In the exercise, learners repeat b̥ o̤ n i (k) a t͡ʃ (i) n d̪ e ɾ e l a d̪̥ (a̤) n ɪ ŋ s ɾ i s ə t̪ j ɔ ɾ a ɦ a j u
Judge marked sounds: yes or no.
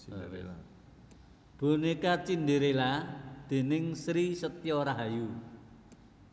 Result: yes, yes, no

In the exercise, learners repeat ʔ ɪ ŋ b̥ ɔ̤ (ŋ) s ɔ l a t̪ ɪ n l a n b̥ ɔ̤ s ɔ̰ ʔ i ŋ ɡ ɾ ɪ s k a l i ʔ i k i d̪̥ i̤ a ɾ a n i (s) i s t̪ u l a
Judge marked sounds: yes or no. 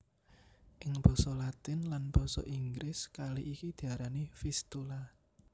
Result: no, no

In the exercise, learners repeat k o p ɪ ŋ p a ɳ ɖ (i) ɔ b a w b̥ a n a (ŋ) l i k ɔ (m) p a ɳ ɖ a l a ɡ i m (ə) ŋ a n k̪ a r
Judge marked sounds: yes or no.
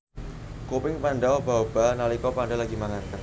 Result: no, no, no, no

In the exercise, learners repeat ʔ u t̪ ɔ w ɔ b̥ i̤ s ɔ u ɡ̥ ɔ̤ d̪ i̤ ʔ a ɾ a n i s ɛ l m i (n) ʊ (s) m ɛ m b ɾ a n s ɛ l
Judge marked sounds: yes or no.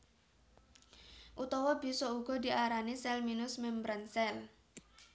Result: yes, yes

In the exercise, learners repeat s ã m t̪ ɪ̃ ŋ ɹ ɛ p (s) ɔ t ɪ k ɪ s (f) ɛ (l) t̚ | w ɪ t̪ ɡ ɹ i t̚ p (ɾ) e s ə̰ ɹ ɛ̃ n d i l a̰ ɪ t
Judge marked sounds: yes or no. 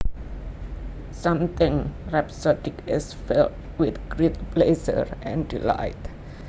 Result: yes, yes, yes, no

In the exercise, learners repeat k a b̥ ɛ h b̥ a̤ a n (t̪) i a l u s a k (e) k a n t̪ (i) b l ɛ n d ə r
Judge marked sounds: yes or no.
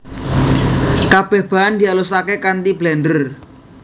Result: no, yes, yes

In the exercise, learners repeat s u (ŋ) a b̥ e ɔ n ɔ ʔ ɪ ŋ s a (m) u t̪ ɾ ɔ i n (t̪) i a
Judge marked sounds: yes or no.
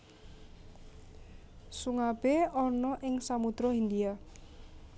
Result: yes, yes, no

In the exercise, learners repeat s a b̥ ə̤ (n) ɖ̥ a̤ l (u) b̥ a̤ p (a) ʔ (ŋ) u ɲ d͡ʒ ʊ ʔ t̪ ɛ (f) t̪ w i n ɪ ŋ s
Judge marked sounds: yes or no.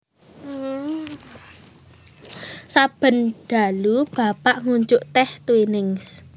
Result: yes, yes, yes, yes, no

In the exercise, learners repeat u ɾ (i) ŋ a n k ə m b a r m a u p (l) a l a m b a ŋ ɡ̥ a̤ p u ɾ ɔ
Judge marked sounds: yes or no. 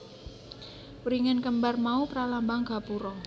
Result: yes, no

